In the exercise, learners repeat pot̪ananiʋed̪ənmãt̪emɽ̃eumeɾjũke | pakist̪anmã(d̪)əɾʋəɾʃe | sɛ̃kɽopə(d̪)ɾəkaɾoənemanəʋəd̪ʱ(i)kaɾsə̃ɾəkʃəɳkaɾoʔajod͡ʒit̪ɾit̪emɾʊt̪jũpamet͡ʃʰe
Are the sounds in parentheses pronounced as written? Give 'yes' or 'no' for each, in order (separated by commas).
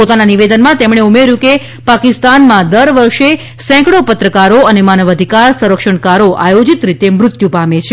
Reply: yes, no, yes